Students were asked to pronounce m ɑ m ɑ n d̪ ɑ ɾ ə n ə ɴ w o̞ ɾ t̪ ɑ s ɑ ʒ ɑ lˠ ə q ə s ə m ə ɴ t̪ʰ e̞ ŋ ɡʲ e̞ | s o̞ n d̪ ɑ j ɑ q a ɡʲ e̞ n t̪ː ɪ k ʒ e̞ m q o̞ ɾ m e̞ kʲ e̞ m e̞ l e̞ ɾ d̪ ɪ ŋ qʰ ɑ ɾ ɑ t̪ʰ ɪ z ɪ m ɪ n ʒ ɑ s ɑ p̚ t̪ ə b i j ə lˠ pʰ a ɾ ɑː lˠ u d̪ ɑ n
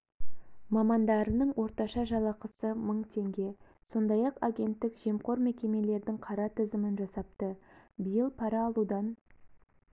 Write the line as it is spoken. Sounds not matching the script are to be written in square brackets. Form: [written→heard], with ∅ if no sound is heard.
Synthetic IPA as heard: m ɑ m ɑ n d̪ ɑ ɾ ə n ə ɴ w o̞ ɾ t̪ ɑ [s→ʃ] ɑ ʒ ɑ lˠ [ə→ɑ] q ə s ə m ə ɴ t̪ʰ e̞ ŋ ɡʲ e̞ | s o̞ n d̪ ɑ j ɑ q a ɡʲ e̞ n t̪ː ɪ k ʒ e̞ m q o̞ ɾ m e̞ kʲ e̞ m e̞ l e̞ ɾ d̪ ɪ ŋ qʰ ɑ ɾ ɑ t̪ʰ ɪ z ɪ m ɪ n ʒ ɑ s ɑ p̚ t̪ ə b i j ə lˠ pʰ [a→ɑ] ɾ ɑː lˠ u d̪ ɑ n